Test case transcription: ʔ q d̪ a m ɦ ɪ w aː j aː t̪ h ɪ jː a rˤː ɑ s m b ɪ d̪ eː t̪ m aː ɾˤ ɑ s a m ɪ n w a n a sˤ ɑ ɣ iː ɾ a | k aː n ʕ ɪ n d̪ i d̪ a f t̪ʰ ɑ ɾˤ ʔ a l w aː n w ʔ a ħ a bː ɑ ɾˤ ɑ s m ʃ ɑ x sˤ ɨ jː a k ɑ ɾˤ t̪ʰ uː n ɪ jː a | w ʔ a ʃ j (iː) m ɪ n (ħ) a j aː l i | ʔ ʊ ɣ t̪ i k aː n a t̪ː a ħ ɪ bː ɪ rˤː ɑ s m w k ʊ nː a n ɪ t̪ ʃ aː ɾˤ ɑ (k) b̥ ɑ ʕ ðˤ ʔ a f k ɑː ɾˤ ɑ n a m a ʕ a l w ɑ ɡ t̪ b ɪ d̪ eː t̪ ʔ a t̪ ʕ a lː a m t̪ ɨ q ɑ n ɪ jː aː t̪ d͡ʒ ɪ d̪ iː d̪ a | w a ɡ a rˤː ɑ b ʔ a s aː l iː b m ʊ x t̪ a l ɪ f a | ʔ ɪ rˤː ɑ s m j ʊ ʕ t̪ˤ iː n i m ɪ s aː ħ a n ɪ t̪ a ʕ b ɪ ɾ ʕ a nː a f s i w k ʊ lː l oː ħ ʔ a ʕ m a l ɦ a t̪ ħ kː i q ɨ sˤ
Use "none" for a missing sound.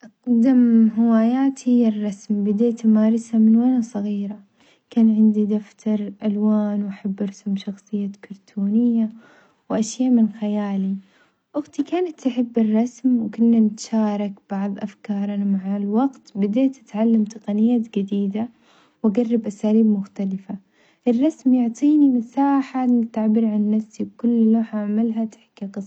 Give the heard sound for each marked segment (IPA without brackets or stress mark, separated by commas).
aː, x, k